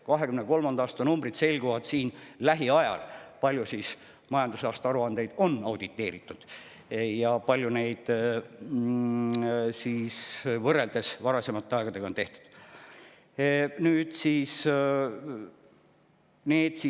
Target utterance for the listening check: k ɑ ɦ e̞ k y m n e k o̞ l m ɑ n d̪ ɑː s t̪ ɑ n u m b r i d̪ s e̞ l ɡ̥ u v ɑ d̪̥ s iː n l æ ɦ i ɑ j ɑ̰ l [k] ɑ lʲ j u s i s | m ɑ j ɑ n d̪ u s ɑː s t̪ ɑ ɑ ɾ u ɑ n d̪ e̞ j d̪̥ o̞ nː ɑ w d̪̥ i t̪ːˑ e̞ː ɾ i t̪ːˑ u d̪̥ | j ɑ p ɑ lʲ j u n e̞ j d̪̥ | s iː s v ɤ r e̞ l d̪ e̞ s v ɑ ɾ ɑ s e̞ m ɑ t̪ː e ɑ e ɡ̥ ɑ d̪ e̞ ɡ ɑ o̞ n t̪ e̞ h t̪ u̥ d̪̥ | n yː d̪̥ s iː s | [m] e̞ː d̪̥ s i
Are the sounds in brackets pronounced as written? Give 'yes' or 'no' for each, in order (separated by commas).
no, no